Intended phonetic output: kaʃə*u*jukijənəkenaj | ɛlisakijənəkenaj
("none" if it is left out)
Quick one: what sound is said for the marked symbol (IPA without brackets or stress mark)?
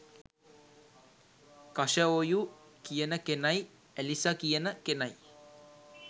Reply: o